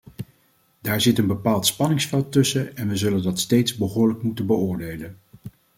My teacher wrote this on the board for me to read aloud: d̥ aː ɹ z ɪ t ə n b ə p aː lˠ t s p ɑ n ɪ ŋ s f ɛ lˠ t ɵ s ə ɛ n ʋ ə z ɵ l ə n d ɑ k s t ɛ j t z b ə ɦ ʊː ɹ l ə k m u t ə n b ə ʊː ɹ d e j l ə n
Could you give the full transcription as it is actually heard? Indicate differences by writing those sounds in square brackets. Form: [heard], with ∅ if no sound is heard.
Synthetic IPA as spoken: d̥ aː ɹ z ɪ t ə n b ə p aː lˠ t s p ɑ n ɪ ŋ s f ɛ lˠ t ɵ s ə ɛ n ʋ ə z ɵ l ə n d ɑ [t] s t [e] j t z b ə ɦ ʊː ɹ l ə k m u t ə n b ə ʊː ɹ d e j l ə n